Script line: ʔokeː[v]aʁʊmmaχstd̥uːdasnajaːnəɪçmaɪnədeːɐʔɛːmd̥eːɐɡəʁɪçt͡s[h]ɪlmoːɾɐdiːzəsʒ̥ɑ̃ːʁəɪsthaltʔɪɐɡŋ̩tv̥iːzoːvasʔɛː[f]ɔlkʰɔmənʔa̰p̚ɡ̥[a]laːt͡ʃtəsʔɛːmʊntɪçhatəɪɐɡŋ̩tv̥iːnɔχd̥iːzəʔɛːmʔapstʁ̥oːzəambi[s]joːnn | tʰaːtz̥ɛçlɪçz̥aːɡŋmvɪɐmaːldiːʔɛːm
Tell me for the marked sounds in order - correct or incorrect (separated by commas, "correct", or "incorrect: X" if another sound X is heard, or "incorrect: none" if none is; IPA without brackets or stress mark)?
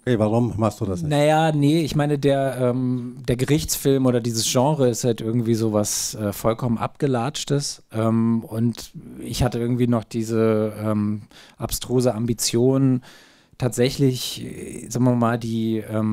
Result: correct, incorrect: f, correct, incorrect: ə, incorrect: t͡s